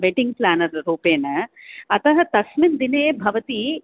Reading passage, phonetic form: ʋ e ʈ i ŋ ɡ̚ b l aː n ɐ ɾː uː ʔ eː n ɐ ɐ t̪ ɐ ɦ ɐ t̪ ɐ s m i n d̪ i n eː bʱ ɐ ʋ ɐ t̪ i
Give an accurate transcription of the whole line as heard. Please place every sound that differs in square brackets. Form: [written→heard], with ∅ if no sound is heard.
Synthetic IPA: ʋ e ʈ i ŋ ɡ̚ [b→p] l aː n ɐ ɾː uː [ʔ→p] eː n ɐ ɐ t̪ ɐ ɦ ɐ t̪ ɐ s m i n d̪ i n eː bʱ ɐ ʋ ɐ t̪ i